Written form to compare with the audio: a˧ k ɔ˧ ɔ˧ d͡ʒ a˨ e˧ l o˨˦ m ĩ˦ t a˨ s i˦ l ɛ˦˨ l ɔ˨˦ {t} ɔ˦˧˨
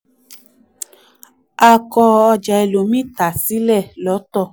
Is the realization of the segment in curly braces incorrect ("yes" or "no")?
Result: no